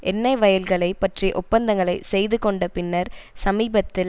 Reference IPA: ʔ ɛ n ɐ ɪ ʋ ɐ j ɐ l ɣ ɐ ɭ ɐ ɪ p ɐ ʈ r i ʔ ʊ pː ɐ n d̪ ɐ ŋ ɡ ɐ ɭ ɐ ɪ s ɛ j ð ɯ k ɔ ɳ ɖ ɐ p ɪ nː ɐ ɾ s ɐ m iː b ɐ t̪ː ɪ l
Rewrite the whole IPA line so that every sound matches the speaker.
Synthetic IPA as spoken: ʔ ɛ nː ɐ ɪ ʋ ɐ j ɐ l ɣ ɐ ɭ ɐ ɪ p ɐ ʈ r i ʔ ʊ pː ɐ n d̪ ɐ ŋ ɡ ɐ ɭ ɐ ɪ s ɛ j ð ɯ k ɔ ɳ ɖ ɐ p ɪ nː ɐ ɾ s ɐ m iː b ɐ t̪ː ɪ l